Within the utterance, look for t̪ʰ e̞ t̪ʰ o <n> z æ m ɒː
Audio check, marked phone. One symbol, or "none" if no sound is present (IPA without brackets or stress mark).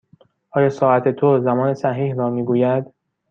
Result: none